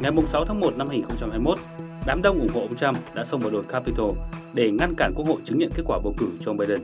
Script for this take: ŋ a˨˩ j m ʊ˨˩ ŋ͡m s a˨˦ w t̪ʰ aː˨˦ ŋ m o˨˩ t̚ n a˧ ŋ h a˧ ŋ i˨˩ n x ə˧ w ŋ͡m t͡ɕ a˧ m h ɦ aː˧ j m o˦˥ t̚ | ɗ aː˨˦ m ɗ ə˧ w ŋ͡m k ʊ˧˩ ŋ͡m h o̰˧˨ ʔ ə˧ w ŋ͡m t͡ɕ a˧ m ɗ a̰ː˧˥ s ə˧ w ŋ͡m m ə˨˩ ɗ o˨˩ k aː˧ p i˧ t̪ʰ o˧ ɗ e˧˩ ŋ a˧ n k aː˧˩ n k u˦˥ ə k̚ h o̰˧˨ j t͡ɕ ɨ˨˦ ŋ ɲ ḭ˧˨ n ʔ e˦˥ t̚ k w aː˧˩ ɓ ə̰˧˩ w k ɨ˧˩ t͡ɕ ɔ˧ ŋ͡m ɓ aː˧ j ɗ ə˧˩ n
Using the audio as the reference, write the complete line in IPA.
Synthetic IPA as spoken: ŋ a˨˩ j m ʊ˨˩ ŋ͡m s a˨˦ w t̪ʰ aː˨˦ ŋ m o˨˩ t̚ n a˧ m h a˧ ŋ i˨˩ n x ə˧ w ŋ͡m t͡ɕ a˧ m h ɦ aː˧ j m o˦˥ t̚ | ɗ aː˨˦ m ɗ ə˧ w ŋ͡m ʔ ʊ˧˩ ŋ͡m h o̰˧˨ ʔ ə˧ w ŋ͡m t͡ɕ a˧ m ɗ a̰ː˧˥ s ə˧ w ŋ͡m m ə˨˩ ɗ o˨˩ k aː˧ p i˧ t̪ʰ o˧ ɗ e˧˩ ŋ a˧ n k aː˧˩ n k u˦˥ ə k̚ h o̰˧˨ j t͡ɕ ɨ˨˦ ŋ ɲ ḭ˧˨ n k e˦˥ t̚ k w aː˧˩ ɓ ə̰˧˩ w k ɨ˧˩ t͡ɕ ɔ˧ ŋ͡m ɓ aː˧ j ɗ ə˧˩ n

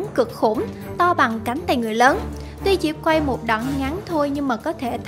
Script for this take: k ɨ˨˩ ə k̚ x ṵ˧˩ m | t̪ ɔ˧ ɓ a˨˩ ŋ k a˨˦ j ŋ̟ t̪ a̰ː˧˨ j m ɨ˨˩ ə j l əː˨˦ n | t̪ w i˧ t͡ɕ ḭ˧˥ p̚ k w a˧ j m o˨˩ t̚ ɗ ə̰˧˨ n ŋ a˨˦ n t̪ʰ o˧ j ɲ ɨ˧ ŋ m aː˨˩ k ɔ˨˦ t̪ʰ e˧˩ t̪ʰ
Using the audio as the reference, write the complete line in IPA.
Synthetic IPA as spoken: k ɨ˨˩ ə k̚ x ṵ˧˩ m | t̪ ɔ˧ ɓ a˨˩ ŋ k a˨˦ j ŋ̟ t̪ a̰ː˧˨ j ŋ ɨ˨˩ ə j l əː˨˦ n | t̪ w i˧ t͡ɕ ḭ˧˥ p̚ k w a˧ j m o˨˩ t̚ ɗ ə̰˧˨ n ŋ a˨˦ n t̪ʰ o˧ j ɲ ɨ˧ ŋ m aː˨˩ k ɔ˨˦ t̪ʰ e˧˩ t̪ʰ

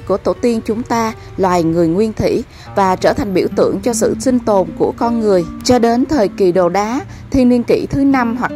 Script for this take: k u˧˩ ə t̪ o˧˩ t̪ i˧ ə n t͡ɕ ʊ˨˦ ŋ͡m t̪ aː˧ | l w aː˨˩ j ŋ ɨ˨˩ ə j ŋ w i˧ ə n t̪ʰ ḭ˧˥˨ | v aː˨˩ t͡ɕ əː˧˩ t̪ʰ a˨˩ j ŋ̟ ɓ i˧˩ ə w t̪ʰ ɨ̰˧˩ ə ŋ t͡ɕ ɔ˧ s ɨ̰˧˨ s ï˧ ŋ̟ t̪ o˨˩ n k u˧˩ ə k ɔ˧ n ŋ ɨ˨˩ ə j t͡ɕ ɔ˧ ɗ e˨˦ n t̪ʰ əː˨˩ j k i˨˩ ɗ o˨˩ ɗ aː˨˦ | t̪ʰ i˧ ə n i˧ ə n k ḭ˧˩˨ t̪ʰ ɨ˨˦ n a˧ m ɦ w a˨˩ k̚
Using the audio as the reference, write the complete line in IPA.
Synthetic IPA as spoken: k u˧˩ ə t̪ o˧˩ t̪ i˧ ə n t͡ɕ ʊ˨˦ ŋ͡m t̪ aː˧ | l w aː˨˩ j ŋ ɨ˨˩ ə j ŋ w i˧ ə n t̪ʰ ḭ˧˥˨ | v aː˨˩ t͡ɕ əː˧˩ t̪ʰ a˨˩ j ŋ̟ ɓ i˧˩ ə w t̪ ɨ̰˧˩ ə ŋ t͡ɕ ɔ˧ s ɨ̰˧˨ s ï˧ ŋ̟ t̪ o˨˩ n k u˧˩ ə k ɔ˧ n ŋ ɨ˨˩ ə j t͡ɕ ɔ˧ ɗ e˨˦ n t̪ʰ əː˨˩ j k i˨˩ ɗ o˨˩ ɗ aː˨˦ | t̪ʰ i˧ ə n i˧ ə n k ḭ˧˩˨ t̪ʰ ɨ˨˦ n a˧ m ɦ w a˨˩ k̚

